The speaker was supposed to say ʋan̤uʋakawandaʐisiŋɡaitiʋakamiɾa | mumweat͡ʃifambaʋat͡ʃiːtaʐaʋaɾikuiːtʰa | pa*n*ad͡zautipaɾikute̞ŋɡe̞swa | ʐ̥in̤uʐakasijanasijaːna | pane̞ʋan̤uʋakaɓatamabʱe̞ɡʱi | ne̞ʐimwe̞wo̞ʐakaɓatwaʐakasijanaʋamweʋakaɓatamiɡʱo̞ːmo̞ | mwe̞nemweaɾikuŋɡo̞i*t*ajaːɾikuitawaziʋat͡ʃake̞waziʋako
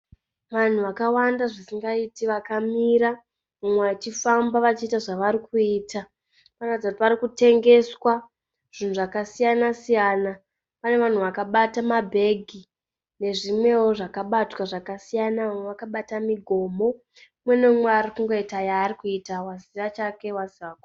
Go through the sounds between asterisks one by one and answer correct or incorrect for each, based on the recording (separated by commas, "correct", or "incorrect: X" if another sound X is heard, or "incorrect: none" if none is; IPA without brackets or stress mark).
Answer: correct, correct